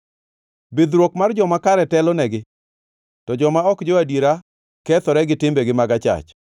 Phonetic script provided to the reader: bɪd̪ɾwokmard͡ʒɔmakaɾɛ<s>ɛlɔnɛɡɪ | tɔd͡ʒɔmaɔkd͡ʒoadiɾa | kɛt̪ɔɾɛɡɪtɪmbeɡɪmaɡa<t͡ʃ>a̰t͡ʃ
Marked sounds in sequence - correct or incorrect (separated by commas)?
incorrect, correct